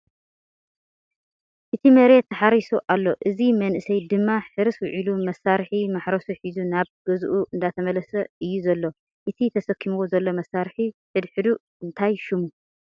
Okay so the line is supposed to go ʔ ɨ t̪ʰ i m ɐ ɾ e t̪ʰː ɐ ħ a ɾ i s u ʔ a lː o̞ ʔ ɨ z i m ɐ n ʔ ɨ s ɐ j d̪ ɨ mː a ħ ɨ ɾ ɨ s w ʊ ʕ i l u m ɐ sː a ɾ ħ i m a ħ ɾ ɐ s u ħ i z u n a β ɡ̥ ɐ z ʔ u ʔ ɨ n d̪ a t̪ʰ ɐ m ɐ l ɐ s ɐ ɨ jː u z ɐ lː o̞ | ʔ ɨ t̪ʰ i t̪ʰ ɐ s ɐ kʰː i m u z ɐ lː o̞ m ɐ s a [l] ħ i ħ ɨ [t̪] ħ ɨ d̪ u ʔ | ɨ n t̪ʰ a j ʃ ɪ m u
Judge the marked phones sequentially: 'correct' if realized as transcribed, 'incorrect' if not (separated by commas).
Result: incorrect, incorrect